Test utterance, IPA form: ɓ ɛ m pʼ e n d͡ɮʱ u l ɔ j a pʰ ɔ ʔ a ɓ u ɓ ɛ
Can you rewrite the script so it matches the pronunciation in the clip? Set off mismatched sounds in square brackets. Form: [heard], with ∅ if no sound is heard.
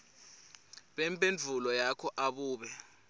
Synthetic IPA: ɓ ɛ m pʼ e n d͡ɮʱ u l ɔ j a [kʰ] ɔ ʔ a ɓ [uː] ɓ ɛ